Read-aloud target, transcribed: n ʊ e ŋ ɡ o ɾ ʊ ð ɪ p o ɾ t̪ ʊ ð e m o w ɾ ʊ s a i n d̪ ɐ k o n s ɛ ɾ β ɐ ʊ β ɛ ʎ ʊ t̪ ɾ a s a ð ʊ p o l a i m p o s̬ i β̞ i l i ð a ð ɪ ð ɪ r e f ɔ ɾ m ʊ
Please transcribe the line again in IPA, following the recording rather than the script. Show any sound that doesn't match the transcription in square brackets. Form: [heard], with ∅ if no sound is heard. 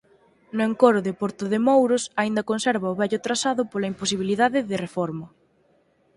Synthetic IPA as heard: n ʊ e ŋ [k] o ɾ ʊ ð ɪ p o ɾ t̪ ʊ ð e m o w ɾ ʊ s a i n d̪ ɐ k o n s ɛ ɾ β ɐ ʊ β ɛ ʎ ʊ t̪ ɾ a s a ð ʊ p o l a i m p o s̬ i β̞ i l i ð a ð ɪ ð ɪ r e f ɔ ɾ m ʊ